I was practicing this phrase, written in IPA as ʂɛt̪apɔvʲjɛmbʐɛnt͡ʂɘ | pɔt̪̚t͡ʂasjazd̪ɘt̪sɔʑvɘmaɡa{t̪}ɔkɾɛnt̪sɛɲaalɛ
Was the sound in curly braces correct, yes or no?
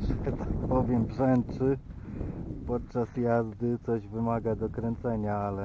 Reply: no